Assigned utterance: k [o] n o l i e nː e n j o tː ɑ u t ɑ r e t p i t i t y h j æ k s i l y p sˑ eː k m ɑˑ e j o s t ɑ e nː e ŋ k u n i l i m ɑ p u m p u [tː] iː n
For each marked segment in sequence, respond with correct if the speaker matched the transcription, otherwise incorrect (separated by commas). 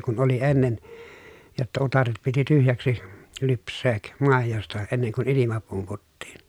incorrect, correct